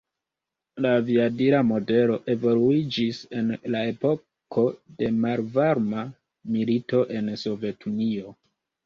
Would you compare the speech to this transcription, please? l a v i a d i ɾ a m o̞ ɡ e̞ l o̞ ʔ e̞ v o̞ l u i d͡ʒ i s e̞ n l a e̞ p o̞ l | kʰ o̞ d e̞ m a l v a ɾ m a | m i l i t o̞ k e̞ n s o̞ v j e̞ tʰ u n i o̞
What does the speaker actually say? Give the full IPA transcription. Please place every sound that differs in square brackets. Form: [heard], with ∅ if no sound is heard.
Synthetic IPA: l a v i a d i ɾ a m o̞ [d] e̞ l o̞ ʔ e̞ v o̞ l u i d͡ʒ i s e̞ n l a e̞ p o̞ [∅] | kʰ o̞ d e̞ m a l v a ɾ m a | m i l i t o̞ [ʔ] e̞ n s o̞ v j e̞ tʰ u n i o̞